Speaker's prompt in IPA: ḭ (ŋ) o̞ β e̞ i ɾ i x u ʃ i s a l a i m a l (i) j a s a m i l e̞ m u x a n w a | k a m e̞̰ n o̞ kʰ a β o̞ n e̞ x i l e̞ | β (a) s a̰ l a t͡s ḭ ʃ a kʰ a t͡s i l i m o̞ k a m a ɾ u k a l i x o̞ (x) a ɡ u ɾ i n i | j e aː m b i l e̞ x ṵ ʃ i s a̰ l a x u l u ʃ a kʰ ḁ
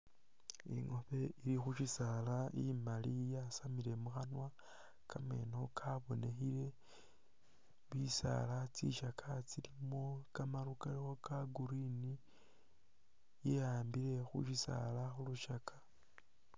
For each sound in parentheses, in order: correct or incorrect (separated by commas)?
correct, correct, incorrect, incorrect